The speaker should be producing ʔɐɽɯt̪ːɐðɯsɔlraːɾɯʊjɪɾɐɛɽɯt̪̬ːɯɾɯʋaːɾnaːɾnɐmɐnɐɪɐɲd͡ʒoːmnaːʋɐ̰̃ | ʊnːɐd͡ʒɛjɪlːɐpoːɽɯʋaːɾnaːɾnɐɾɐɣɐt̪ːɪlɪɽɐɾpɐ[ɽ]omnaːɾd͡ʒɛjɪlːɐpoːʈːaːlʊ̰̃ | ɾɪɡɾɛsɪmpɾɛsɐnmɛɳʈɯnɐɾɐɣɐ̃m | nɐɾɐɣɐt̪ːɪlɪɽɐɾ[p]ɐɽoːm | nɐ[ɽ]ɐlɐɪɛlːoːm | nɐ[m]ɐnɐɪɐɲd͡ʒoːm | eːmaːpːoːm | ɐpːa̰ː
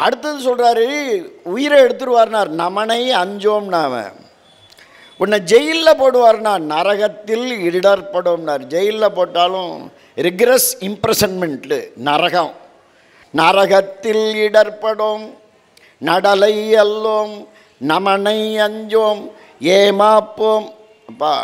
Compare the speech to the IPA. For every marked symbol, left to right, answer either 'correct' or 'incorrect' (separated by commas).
correct, correct, correct, correct